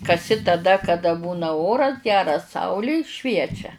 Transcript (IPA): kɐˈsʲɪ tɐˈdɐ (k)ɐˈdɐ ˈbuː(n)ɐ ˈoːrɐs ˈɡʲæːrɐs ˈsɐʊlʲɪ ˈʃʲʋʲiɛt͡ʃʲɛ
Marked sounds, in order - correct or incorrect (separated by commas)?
correct, correct